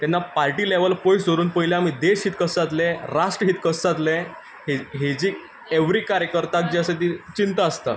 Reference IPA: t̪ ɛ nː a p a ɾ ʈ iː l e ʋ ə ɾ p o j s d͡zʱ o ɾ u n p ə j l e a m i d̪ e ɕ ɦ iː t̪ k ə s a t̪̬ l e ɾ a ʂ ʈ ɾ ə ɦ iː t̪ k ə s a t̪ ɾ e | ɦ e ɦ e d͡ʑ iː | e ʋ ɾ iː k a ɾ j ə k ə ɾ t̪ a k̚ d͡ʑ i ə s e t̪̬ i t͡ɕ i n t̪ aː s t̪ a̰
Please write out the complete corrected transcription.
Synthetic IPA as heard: t̪ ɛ nː a p a ɾ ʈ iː l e ʋ ə l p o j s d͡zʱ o ɾ uː n p ə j l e a m i d̪ e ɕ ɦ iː t̪ k ə s a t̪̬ l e ɾ a ʂ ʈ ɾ ə ɦ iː t̪ k ə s a t̪ l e | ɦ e ɦ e d͡ʑ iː | e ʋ ɾ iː k a ɾ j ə k ə ɾ t̪ a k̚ d͡ʑ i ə s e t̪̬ i t͡ɕ i n t̪ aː s t̪ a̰

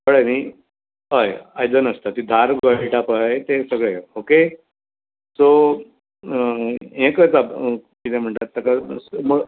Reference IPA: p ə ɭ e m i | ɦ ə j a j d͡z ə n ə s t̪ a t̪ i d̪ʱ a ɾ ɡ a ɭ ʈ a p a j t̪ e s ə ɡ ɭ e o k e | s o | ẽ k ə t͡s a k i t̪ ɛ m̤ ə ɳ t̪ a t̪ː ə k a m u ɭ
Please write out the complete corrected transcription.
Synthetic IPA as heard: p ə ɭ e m i | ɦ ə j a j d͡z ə n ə s t̪ a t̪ i d̪ʱ a ɾ ɡ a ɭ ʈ a p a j t̪ e s ə ɡ ɭ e o k e | s o | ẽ k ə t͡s a k i t̪ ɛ m̤ ə ɳ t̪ a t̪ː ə k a m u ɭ

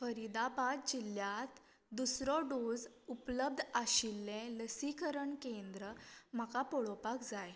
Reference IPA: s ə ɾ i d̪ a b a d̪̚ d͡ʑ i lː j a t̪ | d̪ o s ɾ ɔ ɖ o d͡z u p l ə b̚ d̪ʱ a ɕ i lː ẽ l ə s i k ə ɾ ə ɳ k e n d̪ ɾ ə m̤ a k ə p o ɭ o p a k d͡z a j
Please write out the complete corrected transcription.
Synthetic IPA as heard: f ə ɾ i d̪ a b a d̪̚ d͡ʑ i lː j a t̪ | d̪ u s ɾ ɔ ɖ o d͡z u p l ə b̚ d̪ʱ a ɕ i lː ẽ l ə s i k ə ɾ ə ɳ k e n d̪ ɾ ə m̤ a k a p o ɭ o p a k d͡z a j

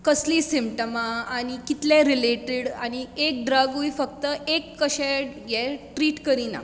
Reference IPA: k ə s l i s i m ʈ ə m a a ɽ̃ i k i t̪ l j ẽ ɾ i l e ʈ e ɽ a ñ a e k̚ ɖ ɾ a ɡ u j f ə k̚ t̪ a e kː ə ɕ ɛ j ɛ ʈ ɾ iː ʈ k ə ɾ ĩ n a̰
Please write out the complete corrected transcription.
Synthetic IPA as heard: k ə s l i s i m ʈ ə m a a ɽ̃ i k i t̪ l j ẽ ɾ i l e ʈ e ɽ a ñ i e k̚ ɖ ɾ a ɡ u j f ə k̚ t̪ ə e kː ə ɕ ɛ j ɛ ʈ ɾ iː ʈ k ə ɾ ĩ n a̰

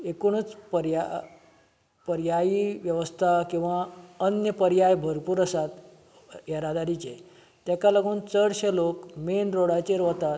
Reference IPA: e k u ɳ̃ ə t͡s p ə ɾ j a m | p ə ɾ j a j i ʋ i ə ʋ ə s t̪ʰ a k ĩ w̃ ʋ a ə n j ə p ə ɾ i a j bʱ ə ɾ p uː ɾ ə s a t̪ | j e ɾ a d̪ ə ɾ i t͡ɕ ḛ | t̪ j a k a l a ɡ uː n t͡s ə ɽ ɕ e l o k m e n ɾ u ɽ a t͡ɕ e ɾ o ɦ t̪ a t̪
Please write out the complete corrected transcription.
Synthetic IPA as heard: e k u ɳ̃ ə t͡s p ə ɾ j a | p ə ɾ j a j i ʋ j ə ʋ ə s t̪ʰ a k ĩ w̃ ʋ a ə n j ə p ə ɾ j a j bʱ ə ɾ p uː ɾ ə s a t̪ | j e ɾ a d̪ a ɾ i t͡ɕ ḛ | t̪ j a k a l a ɡ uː n t͡s ə ɽ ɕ e l o k m e n ɾ o ɽ a t͡ɕ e ɾ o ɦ t̪ a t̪

